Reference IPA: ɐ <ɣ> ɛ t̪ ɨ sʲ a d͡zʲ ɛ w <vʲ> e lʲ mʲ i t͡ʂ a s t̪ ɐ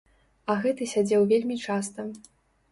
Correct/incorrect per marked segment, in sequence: correct, correct

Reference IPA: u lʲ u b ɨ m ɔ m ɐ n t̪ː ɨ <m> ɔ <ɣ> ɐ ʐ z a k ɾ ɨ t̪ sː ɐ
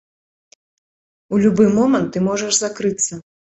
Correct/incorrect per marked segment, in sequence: correct, incorrect: ʐ

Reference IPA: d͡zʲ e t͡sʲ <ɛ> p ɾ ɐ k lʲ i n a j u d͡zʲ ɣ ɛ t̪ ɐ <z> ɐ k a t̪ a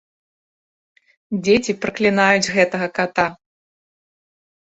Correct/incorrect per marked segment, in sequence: incorrect: i, incorrect: ɣ

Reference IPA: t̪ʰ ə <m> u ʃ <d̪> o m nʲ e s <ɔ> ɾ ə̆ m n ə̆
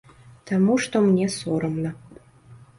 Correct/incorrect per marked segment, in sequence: correct, incorrect: t̪, incorrect: o

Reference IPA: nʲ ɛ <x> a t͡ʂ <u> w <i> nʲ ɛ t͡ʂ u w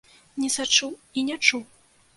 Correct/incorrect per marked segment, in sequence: incorrect: s, correct, correct

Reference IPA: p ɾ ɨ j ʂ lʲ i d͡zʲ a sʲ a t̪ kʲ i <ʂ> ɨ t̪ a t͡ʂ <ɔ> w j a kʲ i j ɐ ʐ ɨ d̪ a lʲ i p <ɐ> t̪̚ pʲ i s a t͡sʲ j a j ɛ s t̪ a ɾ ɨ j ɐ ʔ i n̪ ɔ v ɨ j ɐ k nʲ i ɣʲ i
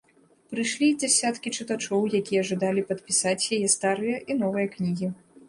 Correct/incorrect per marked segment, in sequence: incorrect: t͡ʂ, correct, correct

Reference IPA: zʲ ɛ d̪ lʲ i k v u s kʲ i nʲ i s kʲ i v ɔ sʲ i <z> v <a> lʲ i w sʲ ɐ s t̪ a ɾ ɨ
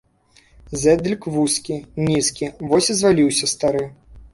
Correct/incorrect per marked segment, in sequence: correct, correct

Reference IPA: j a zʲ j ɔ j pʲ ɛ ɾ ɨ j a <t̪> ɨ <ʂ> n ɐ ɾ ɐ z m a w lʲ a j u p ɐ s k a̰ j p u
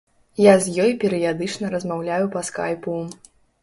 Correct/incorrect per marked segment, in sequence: incorrect: d̪, incorrect: t͡ʂ

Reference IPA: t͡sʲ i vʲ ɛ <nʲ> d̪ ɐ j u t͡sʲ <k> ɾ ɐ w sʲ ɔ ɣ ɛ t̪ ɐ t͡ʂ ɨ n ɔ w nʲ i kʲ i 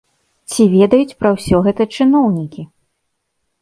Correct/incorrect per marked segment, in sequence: incorrect: none, incorrect: p

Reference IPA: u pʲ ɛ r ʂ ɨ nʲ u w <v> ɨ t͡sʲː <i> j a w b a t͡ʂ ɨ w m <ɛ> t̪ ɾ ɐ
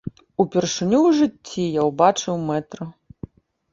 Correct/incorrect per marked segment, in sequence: incorrect: ʐ, correct, correct

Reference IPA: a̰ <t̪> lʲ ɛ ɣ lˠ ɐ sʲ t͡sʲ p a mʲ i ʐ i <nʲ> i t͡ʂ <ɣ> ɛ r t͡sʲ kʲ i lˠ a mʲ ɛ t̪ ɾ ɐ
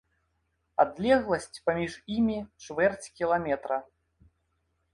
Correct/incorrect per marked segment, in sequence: incorrect: d̪, incorrect: mʲ, incorrect: v

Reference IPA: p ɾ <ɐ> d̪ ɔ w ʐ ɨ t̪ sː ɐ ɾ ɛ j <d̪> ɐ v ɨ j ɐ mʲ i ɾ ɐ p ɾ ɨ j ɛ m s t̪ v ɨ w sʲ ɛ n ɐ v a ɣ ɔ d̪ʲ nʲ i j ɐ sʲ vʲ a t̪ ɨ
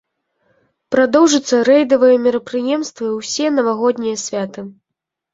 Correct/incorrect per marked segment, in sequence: incorrect: a, correct

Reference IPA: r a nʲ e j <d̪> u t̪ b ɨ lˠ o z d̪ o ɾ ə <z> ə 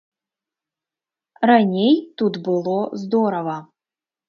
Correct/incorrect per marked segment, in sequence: incorrect: t̪, incorrect: v

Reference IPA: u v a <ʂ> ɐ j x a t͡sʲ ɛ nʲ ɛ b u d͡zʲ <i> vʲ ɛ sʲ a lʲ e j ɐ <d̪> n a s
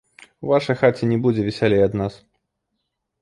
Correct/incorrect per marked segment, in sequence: correct, incorrect: ɛ, correct

